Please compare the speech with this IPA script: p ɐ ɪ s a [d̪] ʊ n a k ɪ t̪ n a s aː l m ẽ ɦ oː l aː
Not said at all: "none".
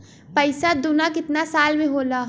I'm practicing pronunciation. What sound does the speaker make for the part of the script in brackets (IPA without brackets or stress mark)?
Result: d̪